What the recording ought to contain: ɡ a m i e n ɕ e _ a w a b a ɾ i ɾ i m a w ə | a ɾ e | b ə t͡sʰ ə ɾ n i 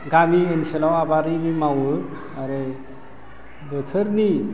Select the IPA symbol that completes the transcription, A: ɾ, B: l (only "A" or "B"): B